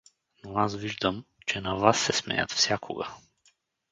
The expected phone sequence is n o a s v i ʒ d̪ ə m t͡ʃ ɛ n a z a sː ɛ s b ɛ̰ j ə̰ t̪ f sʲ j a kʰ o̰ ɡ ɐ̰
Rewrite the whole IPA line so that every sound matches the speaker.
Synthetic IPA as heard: n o a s v i ʒ d̪ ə m t͡ʃ ɛ n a v a sː ɛ s m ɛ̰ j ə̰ t̪ f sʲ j a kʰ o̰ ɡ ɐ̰